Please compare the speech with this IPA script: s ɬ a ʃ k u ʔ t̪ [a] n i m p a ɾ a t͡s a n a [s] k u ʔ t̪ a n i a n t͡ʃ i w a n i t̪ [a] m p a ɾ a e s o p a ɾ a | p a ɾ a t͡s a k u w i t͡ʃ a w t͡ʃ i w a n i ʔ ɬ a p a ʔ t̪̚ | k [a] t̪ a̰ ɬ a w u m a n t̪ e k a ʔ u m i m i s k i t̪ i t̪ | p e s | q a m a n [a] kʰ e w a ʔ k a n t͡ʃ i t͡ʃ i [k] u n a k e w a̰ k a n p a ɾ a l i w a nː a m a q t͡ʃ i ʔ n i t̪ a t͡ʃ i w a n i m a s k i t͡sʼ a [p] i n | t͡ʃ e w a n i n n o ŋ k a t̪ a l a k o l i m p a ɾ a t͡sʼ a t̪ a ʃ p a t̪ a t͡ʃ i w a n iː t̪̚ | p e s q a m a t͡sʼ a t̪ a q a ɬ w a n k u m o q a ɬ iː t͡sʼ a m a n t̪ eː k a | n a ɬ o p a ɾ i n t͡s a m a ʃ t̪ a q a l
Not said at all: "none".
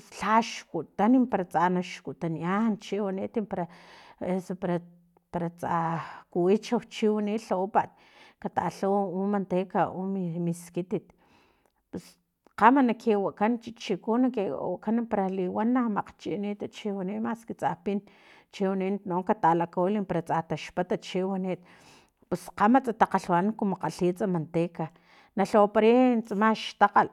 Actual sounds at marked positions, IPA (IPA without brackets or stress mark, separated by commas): a, ʃ, i, a, a, k, p